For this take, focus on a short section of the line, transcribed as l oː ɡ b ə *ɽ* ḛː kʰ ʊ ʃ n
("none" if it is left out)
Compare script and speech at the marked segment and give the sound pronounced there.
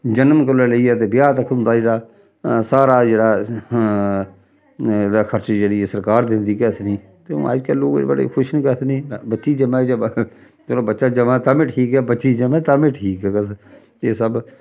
ɽ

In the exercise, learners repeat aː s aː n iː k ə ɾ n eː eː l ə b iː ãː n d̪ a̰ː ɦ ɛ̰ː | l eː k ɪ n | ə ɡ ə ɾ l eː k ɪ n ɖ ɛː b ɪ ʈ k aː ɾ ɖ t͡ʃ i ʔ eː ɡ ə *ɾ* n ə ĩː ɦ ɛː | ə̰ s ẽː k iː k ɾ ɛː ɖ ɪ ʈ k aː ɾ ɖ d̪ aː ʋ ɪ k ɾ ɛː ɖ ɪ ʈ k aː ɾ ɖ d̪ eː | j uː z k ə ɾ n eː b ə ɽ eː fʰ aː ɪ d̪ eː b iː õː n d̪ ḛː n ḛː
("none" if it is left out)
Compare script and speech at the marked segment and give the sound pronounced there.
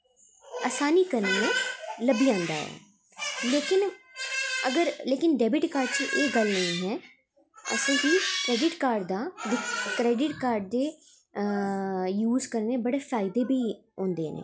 l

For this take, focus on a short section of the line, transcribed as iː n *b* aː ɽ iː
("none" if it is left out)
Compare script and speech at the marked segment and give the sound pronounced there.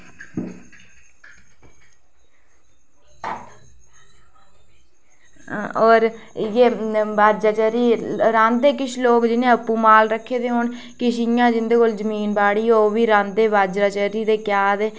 b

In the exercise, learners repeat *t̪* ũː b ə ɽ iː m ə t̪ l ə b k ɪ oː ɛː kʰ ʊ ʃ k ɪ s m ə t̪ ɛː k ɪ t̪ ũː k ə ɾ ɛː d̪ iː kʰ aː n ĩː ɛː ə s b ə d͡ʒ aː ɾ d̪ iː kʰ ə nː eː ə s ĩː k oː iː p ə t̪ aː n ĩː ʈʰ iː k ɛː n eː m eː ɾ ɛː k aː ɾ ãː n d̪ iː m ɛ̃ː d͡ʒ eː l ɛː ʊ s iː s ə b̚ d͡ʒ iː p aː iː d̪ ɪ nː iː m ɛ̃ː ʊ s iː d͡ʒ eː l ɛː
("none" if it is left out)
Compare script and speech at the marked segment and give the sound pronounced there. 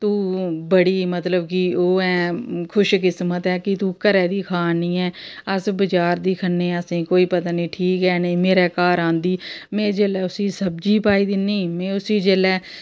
t̪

